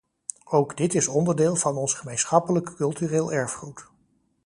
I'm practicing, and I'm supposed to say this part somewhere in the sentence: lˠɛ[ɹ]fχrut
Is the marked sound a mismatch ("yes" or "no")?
no